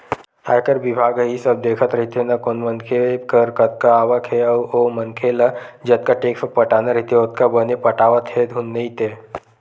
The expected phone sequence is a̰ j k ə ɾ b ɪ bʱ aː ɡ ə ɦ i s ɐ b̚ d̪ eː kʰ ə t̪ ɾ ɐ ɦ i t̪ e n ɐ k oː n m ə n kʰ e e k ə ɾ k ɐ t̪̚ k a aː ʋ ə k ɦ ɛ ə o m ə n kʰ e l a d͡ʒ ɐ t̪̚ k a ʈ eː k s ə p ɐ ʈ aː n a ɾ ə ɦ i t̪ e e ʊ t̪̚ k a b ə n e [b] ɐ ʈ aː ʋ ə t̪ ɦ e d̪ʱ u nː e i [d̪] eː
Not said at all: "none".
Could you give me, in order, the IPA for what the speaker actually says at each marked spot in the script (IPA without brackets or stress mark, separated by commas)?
p, t̪